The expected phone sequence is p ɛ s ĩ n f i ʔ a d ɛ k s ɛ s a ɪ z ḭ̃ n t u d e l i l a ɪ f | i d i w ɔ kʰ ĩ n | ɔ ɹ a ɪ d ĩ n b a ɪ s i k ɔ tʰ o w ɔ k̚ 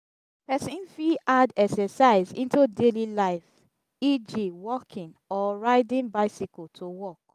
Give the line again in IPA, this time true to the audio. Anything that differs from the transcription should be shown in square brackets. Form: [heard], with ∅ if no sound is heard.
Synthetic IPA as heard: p ɛ s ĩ n f i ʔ a d ɛ k s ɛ s a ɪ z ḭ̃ n t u d e l i l a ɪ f | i [d͡ʒ] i w ɔ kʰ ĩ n | ɔ ɹ a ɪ d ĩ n b a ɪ s i k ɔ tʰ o w ɔ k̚